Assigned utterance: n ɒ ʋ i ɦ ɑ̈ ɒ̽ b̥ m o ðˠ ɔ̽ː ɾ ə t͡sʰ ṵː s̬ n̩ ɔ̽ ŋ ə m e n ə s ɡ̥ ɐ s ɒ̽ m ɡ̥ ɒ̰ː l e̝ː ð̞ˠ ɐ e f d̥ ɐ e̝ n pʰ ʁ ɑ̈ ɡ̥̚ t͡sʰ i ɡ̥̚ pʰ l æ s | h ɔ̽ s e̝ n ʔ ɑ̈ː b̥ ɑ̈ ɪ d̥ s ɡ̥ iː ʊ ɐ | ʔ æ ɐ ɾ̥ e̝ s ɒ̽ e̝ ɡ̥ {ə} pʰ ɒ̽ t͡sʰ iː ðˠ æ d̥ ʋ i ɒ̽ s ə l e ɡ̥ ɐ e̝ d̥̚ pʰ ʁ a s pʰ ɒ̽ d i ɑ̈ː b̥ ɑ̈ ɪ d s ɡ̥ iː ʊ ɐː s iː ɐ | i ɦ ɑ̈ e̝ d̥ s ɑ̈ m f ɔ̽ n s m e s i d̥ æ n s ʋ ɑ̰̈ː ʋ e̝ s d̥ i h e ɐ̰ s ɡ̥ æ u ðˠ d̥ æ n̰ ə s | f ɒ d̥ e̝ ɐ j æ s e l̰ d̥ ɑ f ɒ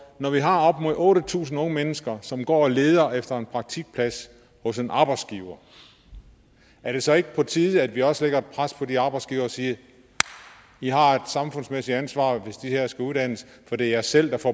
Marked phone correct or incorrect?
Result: correct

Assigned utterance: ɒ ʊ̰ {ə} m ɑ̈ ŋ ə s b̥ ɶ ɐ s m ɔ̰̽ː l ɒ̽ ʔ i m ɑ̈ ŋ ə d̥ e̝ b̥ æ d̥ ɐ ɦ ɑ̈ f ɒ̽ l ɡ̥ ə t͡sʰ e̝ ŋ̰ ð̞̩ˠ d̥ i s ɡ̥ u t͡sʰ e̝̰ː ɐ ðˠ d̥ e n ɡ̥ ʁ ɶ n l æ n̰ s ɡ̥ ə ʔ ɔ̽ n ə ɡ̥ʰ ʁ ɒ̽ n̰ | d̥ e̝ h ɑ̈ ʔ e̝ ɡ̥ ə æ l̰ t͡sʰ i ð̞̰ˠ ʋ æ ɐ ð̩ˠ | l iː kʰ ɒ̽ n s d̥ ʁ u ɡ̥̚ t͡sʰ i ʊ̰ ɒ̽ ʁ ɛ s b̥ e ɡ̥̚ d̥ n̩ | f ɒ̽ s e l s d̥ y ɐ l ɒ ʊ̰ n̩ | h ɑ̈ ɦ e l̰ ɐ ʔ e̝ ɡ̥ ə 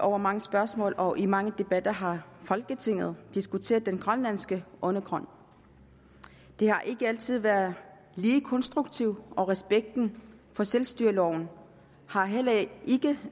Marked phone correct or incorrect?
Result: incorrect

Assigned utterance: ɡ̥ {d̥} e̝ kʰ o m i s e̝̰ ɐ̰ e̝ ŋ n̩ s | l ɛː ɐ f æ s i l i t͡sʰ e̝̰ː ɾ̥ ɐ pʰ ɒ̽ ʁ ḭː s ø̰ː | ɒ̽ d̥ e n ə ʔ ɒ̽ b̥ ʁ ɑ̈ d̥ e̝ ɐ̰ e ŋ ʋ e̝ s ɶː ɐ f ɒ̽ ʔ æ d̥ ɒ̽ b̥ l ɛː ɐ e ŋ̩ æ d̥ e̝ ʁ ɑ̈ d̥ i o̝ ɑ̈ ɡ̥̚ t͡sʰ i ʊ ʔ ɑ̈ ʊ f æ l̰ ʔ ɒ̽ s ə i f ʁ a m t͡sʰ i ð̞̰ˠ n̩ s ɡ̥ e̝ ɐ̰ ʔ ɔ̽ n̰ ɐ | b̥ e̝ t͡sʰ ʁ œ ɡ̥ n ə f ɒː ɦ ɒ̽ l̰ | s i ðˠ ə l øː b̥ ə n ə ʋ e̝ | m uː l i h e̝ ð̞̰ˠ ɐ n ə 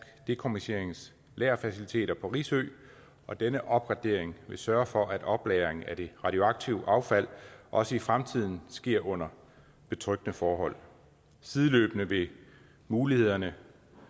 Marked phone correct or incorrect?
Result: correct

